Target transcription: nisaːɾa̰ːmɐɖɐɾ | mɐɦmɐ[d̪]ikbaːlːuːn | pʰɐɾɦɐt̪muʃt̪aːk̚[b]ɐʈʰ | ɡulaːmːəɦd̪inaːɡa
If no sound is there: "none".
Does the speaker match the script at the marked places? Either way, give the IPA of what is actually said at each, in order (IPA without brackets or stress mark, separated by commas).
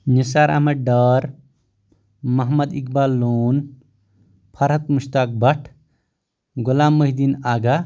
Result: d̪, b